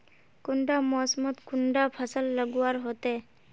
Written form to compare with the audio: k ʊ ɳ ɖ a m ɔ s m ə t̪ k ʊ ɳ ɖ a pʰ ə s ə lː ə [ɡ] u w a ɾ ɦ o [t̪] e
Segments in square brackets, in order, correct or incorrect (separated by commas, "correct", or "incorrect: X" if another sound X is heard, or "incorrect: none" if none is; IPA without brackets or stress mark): correct, correct